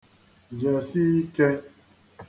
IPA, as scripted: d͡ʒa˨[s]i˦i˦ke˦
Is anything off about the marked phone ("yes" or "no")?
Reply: no